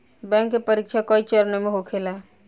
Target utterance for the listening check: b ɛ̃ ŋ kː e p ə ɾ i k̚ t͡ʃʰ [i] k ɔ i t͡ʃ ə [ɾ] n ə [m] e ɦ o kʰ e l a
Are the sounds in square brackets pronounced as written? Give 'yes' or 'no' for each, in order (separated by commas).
no, yes, yes